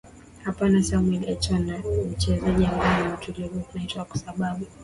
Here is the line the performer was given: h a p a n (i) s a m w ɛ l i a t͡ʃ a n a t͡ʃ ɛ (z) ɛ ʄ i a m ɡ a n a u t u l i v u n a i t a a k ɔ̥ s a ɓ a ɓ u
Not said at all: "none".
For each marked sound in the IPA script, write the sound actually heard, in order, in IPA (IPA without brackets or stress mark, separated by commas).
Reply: a, z